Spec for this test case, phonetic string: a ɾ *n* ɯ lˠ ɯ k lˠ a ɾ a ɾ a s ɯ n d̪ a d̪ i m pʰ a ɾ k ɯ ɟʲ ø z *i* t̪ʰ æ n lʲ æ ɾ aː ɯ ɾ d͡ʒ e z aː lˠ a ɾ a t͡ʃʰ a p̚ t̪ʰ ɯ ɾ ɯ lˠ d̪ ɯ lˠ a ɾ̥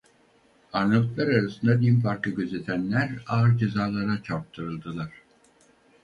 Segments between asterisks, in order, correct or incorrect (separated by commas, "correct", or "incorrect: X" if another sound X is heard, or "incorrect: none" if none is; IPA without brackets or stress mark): correct, incorrect: e